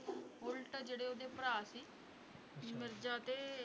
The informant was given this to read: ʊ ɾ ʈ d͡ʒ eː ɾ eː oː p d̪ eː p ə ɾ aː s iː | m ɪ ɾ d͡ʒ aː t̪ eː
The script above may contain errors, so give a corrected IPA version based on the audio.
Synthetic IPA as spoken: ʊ l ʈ d͡ʒ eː ɽ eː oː d̪ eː p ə ɾ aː s iː | m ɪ ɾ d͡ʒ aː t̪ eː